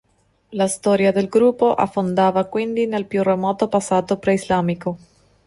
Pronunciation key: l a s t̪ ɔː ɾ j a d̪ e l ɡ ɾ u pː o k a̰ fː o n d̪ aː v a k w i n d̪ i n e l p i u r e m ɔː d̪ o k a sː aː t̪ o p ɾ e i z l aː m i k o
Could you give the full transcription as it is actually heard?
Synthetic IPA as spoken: l a s t̪ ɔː ɾ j a d̪ e l ɡ ɾ u pː o ʔ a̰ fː o n d̪ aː v a k w i n d̪ i n e l p j u r e m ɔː t̪ o p a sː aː t̪ o p ɾ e i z l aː m i k o

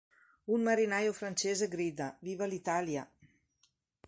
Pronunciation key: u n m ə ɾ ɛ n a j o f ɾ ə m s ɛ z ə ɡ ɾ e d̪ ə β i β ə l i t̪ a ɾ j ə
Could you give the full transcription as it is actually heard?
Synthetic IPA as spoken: u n m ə ɾ i n a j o f ɾ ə n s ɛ z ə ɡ ɾ i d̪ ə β i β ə l i t̪ a l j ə

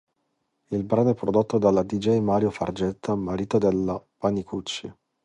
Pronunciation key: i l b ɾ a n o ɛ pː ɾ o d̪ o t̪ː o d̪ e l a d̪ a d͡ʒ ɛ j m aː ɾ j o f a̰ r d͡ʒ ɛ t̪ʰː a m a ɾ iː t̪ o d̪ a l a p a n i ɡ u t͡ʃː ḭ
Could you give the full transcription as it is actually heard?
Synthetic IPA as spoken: i l b ɾ a n o ɛ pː ɾ o d̪ o t̪ː o d̪ a l a d̪ i d͡ʒ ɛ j m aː ɾ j o f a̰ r d͡ʒ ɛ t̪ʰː a m a ɾ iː t̪ o d̪ e l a p a n i k u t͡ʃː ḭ

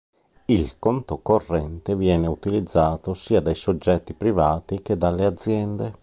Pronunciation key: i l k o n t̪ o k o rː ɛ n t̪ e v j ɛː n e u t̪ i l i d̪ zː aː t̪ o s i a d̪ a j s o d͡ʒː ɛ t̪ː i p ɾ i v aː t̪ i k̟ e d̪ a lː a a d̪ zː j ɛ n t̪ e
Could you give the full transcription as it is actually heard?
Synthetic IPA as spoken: i l k o n t̪ o k o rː ɛ n t̪ e v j ɛː n e u t̪ i l i d̪ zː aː t̪ o s iː a d̪ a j s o d͡ʒː ɛ t̪ː i p ɾ i v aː t̪ i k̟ e d̪ a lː e a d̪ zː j ɛ n d̪ e

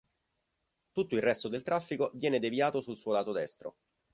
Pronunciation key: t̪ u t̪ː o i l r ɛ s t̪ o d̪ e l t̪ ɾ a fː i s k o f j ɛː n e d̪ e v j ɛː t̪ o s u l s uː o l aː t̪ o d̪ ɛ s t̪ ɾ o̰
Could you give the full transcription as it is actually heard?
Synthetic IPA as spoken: t̪ u t̪ː o i l r ɛ s t̪ o d̪ e l t̪ ɾ a fː i k o v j ɛː n e d̪ e v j aː t̪ o s u l s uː o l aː t̪ o d̪ ɛ s t̪ ɾ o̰

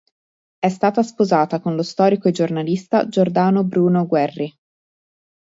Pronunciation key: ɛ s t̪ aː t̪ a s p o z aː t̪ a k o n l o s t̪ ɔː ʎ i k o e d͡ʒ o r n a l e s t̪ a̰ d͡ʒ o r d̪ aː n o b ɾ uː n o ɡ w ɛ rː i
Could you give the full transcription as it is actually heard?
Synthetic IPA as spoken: ɛ s t̪ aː t̪ a s p o z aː t̪ a k o n l o s t̪ ɔː ɾ i k o e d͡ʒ o r n a l i s t̪ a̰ d͡ʒ o r d̪ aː n o b ɾ uː n o ɡ w ɛ rː i

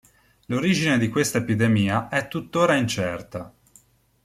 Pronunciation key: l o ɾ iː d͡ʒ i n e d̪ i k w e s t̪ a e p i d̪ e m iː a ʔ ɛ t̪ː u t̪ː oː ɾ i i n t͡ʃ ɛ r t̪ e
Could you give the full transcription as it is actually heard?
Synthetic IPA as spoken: l o ɾ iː d͡ʒ i n e d̪ i k w e s t̪ a e p i d̪ e m iː a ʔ ɛ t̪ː u t̪ː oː ɾ a i n t͡ʃ ɛ r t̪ a

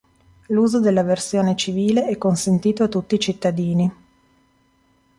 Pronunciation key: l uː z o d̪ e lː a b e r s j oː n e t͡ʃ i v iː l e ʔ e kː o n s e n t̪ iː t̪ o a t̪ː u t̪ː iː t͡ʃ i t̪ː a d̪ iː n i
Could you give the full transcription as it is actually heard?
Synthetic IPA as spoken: l uː z o d̪ e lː a v e r s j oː n e t͡ʃ i v iː l e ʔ ɛ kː o n s e n t̪ iː t̪ o a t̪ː u t̪ː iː t͡ʃ i t̪ː a d̪ iː n i

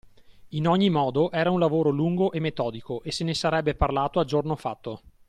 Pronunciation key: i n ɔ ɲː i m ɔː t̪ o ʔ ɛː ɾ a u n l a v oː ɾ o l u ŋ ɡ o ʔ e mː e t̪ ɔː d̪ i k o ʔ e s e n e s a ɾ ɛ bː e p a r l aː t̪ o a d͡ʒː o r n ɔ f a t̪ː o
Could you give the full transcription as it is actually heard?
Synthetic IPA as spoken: i n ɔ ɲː i m ɔː d̪ o ʔ ɛː ɾ a u n l a v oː ɾ o l u ŋ ɡ o ʔ e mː e t̪ ɔː d̪ i k o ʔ e s e n e s a ɾ ɛ bː e p a r l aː t̪ o a d͡ʒ o r n o f a t̪ː o

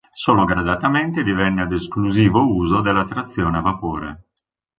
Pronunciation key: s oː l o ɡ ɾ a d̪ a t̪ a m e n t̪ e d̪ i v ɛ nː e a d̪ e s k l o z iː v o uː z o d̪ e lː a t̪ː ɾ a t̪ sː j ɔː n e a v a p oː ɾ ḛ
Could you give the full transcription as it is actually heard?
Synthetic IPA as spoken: s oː l o ɡ ɾ a d̪ a t̪ a m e n t̪ e d̪ i v ɛ nː e a d̪ e s k l u z iː v o uː z o d̪ e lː a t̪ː ɾ a t̪ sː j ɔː n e a v a p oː ɾ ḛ

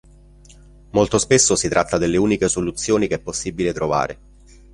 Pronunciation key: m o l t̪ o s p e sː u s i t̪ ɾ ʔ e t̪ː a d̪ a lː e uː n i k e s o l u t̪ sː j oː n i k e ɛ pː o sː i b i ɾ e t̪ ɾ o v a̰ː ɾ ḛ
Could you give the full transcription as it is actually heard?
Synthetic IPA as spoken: m o l t̪ o s p e sː o s i t̪ ɾ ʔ a t̪ː a d̪ e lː e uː n i k e s o l u t̪ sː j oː n i k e ɛ pː o sː i b i l e t̪ ɾ o v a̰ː ɾ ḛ

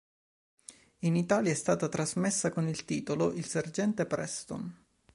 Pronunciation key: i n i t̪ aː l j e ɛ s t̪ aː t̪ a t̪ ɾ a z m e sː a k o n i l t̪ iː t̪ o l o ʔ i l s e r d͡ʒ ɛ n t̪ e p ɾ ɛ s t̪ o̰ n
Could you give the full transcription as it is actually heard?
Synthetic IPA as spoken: i n i t̪ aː l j a ɛ s t̪ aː t̪ a t̪ ɾ a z m e sː a k o n i l t̪ iː t̪ o l o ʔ i l s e r d͡ʒ ɛ n t̪ e p ɾ ɛ s t̪ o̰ n

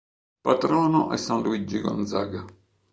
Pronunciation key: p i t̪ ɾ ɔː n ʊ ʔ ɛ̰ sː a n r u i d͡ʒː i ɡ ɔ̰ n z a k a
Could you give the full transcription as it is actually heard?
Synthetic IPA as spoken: p a t̪ ɾ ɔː n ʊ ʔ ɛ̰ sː a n l u i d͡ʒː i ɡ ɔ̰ n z a ɡ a

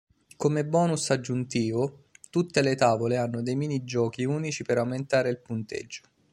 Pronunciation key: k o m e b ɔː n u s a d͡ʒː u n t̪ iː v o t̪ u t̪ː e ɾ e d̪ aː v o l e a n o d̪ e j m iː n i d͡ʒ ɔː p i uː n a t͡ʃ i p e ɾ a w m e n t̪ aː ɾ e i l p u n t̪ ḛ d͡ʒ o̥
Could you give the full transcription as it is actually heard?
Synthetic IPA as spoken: k o m e b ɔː n u s a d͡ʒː u n t̪ iː v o t̪ u t̪ː e l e t̪ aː v o l e a nː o d̪ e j m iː n i d͡ʒ ɔː k i uː n i t͡ʃ i p e ɾ a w m e n t̪ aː ɾ e i l p u n t̪ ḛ d͡ʒː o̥

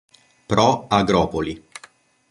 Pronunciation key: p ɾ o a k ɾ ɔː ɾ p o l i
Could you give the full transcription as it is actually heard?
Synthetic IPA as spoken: p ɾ ɔ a ɡ ɾ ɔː p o l i

